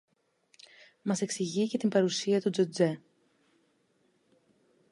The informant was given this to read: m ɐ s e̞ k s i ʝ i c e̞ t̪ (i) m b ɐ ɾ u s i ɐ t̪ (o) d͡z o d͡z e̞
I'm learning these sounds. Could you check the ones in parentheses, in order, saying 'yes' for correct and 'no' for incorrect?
yes, no

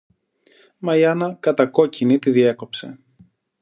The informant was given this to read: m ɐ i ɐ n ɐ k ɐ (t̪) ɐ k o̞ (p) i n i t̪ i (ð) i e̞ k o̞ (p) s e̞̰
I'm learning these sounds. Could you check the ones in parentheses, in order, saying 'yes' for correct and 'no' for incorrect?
yes, no, yes, yes

